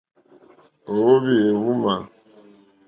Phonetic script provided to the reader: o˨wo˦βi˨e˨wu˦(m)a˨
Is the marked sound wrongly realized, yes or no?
no